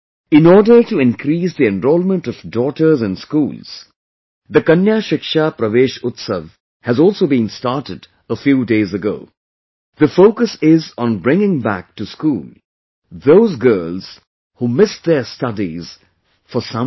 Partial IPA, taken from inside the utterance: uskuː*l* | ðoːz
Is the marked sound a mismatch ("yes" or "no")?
no